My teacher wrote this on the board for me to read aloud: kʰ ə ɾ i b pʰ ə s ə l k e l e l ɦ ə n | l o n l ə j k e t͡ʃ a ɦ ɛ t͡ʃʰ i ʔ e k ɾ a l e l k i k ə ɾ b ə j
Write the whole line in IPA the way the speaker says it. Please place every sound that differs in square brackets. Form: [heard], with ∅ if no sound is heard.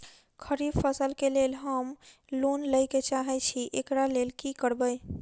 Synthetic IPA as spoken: kʰ ə ɾ i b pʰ ə s ə l k e l e l ɦ ə [m] | l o n l ə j k e t͡ʃ a ɦ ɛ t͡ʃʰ i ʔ e k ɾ a l e l k i k ə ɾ b ə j